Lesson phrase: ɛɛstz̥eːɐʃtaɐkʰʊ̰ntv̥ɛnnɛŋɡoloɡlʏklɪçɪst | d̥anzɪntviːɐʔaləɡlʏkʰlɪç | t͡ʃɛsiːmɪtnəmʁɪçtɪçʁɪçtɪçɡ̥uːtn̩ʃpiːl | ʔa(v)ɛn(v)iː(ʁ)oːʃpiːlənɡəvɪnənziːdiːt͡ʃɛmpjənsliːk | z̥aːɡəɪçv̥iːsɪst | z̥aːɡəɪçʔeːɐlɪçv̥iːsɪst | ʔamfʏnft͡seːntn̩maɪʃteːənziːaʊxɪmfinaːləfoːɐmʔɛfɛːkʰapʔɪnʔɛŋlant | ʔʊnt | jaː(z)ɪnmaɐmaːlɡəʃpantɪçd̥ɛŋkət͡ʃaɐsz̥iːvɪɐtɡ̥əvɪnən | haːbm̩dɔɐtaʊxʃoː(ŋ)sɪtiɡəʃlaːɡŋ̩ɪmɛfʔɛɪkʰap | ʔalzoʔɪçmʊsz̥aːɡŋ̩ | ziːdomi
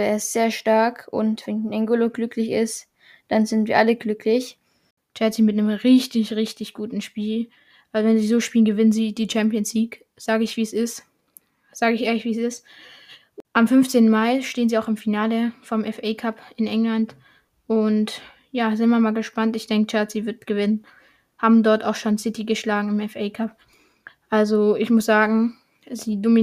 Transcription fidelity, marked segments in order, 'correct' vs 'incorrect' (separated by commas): correct, incorrect, incorrect, correct, incorrect